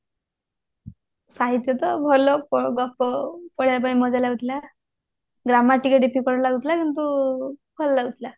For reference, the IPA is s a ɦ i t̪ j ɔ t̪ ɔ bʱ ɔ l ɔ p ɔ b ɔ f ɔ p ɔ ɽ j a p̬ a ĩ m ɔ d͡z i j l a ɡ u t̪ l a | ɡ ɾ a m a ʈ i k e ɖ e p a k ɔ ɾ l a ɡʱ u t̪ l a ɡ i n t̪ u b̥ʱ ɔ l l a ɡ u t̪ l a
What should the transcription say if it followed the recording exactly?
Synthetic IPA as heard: s a ɦ i t̪ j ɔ t̪ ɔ bʱ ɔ l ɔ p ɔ ɡ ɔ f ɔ p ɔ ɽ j a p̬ a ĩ m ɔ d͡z a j l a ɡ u t̪ l a | ɡ ɾ a m a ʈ i k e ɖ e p i k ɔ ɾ l a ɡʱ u t̪ l a k i n t̪ u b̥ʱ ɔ l l a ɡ u t̪ l a

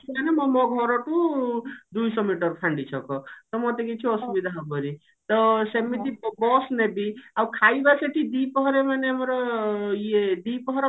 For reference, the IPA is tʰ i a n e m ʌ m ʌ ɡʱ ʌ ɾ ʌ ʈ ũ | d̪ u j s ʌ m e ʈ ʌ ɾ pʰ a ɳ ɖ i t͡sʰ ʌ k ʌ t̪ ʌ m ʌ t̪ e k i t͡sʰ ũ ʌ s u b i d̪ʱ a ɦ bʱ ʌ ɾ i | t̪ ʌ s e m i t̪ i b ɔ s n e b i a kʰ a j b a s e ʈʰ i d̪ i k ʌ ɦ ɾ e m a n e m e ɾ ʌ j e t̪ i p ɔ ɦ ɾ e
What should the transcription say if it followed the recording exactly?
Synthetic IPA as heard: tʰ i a n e m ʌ m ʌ ɡʱ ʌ ɾ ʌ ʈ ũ | d̪ u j s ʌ m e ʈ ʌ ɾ pʰ a ɳ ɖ i t͡sʰ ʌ k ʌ t̪ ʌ m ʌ t̪ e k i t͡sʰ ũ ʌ s u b i d̪ʱ a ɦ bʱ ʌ ɾ i | t̪ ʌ s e m i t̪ i b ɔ s n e b i a kʰ a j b a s e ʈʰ i d̪ i p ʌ ɦ ɾ e m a n e m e ɾ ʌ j e d̪ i p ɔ ɦ ɾ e

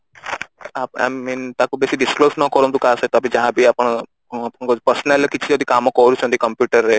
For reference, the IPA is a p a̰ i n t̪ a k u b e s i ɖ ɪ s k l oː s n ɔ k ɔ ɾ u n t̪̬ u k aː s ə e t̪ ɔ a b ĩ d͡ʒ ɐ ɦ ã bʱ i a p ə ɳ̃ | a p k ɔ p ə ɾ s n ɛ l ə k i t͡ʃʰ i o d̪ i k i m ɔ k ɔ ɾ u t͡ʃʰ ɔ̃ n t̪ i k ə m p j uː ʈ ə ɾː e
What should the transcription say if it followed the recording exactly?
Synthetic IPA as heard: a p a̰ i n t̪ a k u b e s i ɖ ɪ s k l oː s n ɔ k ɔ ɾ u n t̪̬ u k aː s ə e t̪ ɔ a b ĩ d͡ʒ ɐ ɦ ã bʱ i a p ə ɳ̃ | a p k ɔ p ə ɾ s n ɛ l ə k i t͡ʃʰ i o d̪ i k a m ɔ k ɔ ɾ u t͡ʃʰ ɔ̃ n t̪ i k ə m p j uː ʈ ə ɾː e

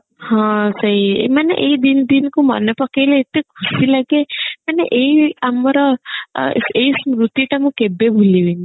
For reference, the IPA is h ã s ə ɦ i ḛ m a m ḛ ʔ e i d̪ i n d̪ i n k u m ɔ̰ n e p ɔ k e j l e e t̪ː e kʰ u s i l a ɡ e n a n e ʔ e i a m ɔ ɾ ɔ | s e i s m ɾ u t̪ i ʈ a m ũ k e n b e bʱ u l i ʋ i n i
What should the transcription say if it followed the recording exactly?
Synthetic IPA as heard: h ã s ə ɦ i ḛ m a n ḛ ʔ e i d̪ i n d̪ i n k u m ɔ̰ n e p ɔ k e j l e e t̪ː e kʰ u s i l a ɡ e m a n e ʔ e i a m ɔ ɾ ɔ | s e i s m ɾ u t̪ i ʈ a m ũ k e b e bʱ u l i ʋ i n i

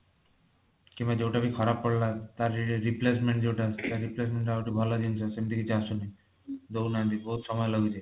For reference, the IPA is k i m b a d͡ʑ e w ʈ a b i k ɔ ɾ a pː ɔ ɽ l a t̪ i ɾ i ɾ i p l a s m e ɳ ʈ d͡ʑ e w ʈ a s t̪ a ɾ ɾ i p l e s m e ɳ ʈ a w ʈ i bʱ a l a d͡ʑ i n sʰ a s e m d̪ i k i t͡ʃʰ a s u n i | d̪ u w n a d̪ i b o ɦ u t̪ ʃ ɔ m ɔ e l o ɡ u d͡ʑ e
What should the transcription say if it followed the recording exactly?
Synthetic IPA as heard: k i m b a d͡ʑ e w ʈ a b i kʰ ɔ ɾ a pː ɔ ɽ l a t̪ a ɾ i ɾ i p l e s m e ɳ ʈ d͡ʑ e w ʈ a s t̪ a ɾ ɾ i p l e s m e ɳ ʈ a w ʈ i bʱ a l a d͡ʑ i n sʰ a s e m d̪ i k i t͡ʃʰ a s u n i | d̪ o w n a d̪ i b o ɦ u t̪ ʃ ɔ m ɔ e l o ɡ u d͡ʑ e

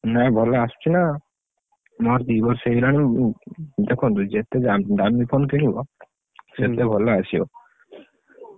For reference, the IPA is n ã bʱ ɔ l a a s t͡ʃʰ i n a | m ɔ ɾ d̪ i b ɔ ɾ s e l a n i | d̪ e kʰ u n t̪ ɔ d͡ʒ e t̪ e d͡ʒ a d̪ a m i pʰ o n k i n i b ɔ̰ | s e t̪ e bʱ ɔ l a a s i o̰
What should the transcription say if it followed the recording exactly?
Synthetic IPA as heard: n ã bʱ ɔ l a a s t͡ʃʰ i n a | m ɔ ɾ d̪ i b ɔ ɾ s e l a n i | d̪ e kʰ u n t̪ u d͡ʒ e t̪ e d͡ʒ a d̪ a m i pʰ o n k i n i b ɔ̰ | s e t̪ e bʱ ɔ l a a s i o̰

